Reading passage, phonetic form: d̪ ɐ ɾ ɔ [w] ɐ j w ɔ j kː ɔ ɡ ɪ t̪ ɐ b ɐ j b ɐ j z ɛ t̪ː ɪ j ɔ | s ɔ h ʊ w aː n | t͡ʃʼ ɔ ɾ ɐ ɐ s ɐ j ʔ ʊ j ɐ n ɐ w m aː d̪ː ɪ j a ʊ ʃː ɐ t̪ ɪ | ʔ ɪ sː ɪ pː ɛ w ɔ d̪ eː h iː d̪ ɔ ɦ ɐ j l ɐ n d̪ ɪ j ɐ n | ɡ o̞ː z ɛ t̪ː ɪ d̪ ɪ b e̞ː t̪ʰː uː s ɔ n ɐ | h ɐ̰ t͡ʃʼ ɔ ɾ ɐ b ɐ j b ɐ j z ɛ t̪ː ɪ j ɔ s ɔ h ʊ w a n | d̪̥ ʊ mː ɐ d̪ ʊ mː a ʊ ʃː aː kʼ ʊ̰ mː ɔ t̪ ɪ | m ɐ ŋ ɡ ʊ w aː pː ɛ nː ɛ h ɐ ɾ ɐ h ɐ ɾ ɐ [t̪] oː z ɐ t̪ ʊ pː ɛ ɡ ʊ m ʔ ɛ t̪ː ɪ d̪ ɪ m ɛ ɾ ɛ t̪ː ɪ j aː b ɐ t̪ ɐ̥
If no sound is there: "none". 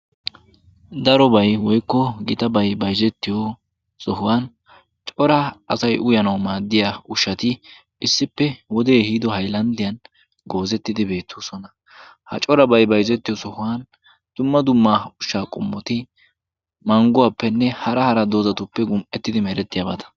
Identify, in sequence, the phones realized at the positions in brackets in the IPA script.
b, d̪

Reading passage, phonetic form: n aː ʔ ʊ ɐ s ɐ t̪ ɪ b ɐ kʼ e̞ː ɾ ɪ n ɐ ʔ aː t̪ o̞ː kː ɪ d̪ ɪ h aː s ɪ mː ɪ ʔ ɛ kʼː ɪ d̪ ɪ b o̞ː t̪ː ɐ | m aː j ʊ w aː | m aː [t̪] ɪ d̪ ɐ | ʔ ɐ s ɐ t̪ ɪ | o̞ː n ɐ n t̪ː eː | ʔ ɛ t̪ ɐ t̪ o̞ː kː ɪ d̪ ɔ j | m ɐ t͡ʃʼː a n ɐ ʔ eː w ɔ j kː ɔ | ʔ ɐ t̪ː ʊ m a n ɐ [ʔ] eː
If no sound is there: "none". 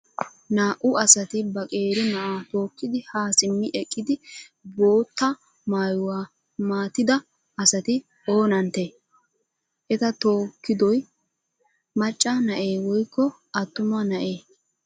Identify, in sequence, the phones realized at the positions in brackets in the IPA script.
t̪, ʔ

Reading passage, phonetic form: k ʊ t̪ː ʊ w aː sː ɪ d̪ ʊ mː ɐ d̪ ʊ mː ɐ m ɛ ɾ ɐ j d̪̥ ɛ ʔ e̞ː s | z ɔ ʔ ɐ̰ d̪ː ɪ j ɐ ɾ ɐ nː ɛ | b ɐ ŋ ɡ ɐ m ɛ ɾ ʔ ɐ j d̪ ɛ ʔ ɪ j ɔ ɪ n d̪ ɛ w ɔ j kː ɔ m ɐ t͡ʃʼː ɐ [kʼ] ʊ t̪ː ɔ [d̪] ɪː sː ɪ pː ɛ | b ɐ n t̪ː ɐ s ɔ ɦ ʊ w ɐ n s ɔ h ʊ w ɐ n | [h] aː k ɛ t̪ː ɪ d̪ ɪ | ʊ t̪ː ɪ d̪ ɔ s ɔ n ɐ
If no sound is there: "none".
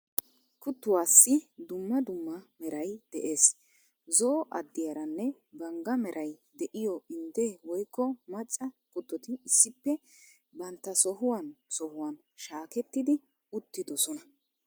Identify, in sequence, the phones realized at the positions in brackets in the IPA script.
k, t̪, ʃ

